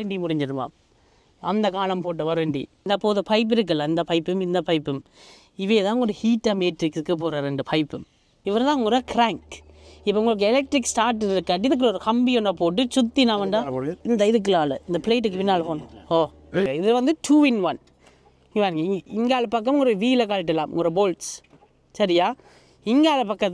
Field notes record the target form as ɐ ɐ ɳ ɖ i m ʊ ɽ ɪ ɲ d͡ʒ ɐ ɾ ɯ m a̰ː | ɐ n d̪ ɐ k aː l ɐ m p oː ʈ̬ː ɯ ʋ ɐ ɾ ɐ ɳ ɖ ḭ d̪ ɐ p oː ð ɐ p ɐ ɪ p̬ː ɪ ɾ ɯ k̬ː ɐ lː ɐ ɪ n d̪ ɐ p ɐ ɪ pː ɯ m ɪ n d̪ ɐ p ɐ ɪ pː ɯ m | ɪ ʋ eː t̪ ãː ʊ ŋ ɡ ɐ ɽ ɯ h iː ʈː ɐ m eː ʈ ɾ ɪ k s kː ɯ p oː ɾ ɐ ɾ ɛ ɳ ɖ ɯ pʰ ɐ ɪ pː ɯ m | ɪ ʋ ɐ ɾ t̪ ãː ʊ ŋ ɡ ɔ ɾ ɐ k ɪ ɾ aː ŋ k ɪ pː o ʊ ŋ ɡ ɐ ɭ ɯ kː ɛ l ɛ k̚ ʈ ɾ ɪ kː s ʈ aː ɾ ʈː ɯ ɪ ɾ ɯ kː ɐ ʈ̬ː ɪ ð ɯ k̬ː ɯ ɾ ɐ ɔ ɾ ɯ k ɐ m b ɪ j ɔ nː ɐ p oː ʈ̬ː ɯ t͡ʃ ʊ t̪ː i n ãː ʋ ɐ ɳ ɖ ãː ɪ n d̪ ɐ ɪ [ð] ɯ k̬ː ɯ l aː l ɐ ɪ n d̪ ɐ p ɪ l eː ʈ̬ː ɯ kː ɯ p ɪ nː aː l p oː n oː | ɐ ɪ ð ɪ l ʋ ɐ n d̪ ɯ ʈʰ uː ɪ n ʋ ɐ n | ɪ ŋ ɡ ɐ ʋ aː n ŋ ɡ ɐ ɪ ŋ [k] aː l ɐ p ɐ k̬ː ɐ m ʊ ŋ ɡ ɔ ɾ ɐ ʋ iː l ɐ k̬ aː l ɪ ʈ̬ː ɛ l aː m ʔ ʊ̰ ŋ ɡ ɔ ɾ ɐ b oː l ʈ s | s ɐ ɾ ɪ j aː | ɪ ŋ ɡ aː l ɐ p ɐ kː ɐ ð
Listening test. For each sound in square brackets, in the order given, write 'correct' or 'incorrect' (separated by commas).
correct, incorrect